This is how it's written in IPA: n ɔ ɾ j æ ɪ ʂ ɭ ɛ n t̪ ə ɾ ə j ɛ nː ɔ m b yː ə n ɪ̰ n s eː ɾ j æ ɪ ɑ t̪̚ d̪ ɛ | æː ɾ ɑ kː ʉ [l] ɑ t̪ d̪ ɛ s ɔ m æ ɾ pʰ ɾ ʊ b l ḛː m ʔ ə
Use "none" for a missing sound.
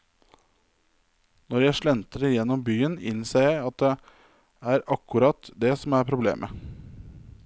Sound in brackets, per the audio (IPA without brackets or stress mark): ɾ